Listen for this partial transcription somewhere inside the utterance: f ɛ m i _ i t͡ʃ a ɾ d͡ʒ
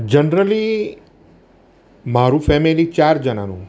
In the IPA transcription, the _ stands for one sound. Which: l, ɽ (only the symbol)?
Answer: l